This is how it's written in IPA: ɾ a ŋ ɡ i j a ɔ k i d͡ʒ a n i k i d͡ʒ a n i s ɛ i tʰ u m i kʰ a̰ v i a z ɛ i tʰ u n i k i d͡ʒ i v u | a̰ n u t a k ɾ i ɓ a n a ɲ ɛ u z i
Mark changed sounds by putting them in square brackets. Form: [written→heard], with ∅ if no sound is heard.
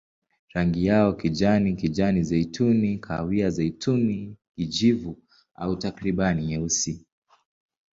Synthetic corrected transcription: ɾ a ŋ ɡ i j a ɔ k i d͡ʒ a n i k i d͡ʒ a n i [s→z] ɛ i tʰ u [m→n] i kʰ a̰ [v→w] i a z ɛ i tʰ u n i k i d͡ʒ i v u | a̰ [n→∅] u t a k ɾ i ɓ a n [a→i] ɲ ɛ u [z→s] i

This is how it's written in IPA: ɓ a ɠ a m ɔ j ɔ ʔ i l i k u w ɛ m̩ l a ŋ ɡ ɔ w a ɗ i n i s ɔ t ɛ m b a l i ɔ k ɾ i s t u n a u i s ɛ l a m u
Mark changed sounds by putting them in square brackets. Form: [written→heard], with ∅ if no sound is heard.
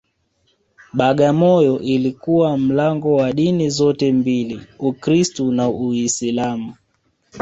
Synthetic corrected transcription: ɓ a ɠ a m ɔ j ɔ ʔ i l i k u w [ɛ→a] m̩ l a ŋ ɡ ɔ w a ɗ i n i [s→z] ɔ t ɛ m b [a→i] l i [ɔ→u] k ɾ i s t u n a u i s [ɛ→i] l a m u

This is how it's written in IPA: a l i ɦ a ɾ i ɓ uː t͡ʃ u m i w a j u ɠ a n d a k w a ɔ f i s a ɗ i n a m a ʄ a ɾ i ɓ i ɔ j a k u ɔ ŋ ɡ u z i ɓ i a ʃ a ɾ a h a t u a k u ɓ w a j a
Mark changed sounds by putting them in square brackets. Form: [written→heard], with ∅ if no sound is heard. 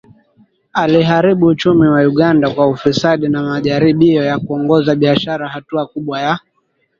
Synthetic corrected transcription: a l i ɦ a ɾ i ɓ uː t͡ʃ u m i w a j u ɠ a n d a k w a [ɔ→u] f i s a ɗ i n a m a ʄ a ɾ i ɓ i ɔ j a k u ɔ ŋ ɡ [u→ɔ] z [i→a] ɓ i a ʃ a ɾ a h a t u a k u ɓ w a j a

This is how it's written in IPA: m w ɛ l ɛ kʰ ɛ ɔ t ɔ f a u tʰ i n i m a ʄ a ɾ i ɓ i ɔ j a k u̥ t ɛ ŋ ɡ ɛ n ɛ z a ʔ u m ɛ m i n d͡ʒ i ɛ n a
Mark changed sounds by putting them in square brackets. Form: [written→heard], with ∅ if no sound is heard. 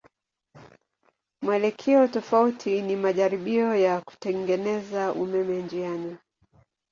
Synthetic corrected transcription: m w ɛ l ɛ kʰ ɛ ɔ t ɔ f a u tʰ i n i m a ʄ a ɾ i ɓ i ɔ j a k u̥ t ɛ ŋ ɡ ɛ n ɛ z a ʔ u m ɛ m [i→ɛ] n d͡ʒ i [ɛ→a] n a

